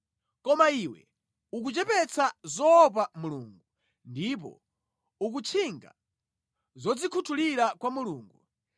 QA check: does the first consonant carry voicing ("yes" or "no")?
no